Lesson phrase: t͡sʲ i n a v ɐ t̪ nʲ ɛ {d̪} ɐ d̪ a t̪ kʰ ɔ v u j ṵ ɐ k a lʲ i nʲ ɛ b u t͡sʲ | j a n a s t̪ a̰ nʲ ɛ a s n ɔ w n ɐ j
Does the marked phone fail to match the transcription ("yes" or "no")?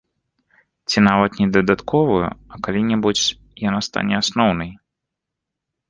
no